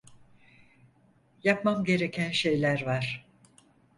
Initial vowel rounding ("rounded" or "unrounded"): unrounded